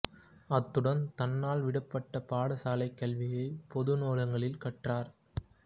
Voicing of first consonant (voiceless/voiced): voiceless